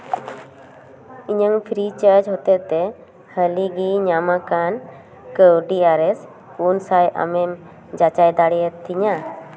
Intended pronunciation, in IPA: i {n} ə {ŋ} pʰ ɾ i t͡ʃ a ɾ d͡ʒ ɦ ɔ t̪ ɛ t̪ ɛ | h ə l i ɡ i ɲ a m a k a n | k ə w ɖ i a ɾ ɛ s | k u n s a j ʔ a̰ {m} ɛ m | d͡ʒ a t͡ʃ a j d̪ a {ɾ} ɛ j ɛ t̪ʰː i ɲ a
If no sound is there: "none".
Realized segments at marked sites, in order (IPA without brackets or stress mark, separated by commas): ɲ, ŋ, m, ɽ